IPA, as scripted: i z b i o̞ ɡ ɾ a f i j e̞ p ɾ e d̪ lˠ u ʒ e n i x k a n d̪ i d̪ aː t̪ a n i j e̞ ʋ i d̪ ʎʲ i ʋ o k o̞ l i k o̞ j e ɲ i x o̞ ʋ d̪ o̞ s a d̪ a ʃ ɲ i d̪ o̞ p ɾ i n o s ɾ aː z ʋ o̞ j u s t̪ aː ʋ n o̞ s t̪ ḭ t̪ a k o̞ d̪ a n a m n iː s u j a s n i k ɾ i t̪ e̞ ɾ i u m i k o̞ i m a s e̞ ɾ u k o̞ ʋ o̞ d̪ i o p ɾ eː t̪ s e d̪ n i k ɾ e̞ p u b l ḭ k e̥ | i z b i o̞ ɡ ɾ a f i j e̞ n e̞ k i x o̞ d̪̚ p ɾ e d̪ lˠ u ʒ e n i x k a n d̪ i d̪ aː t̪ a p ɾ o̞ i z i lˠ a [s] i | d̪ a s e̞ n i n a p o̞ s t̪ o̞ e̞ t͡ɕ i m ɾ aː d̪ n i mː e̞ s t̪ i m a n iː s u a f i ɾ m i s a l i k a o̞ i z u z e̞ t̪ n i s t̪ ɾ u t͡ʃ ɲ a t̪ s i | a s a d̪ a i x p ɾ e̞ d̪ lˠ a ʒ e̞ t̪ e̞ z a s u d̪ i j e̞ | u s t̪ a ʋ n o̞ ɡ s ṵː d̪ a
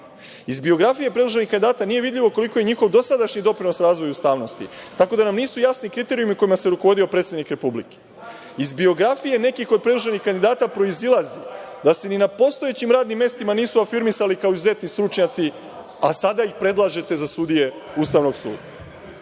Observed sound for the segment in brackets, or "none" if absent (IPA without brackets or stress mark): z